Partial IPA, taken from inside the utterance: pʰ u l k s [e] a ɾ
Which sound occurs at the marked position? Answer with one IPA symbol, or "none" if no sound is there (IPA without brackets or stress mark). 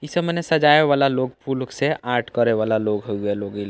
e